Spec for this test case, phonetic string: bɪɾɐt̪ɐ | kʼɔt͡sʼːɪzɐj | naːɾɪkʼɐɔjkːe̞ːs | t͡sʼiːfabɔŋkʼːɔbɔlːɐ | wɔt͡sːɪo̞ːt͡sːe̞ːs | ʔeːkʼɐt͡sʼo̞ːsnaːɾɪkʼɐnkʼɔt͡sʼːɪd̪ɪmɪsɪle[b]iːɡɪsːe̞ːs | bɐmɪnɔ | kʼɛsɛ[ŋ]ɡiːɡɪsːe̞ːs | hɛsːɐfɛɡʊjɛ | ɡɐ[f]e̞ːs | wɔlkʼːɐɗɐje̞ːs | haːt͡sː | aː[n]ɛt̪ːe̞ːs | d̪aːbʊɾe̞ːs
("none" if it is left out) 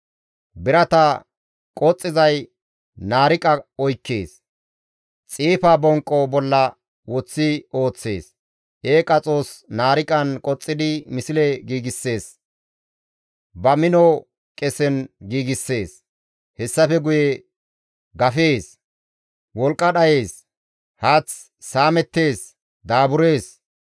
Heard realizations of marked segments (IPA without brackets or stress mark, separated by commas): ɡ, n, f, m